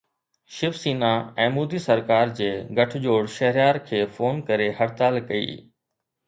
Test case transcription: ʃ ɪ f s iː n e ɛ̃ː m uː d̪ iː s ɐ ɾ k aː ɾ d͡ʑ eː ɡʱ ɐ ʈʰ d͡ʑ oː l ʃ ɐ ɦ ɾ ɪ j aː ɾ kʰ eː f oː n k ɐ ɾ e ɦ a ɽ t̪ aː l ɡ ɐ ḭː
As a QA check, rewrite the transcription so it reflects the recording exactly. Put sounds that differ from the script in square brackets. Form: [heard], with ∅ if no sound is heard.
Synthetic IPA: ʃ ɪ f s iː n [a] ɛ̃ː m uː d̪ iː s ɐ ɾ k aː ɾ d͡ʑ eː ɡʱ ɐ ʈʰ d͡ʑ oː [ɽ] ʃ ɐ ɦ ɾ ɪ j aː ɾ kʰ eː f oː n k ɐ ɾ e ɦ [ɐ] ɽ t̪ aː l [k] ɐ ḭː